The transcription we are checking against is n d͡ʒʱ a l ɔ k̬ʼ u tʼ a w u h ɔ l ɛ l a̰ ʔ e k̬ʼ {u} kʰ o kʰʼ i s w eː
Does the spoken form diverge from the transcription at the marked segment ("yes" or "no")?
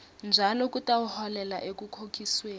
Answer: no